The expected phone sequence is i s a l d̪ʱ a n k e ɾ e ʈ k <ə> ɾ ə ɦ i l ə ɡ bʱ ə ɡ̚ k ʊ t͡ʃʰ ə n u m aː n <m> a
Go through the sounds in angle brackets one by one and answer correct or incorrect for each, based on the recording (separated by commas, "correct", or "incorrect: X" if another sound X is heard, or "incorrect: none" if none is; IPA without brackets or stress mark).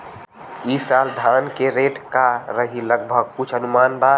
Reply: incorrect: a, incorrect: b